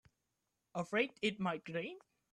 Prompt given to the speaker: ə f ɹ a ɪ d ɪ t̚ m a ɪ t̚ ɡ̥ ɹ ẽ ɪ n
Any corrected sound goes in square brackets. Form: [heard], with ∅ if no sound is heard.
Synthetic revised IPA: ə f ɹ [e] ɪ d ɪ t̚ m a ɪ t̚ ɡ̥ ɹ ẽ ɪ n